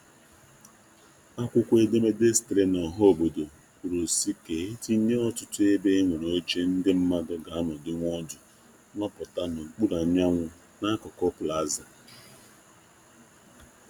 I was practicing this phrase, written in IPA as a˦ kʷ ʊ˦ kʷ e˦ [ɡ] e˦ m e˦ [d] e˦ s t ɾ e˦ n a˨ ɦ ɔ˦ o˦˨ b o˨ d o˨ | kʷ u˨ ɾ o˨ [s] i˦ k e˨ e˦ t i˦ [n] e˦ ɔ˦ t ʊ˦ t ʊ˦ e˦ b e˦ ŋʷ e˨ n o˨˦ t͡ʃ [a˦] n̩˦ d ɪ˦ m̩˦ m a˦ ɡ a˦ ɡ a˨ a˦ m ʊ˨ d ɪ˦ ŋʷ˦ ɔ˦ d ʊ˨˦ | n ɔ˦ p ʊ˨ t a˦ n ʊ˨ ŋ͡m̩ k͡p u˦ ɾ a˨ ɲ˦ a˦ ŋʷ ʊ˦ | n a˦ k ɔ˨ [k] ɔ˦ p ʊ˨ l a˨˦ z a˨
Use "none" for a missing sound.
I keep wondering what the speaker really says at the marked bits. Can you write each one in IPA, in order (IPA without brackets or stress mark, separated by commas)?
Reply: d, d, s, ɲ, e˦, k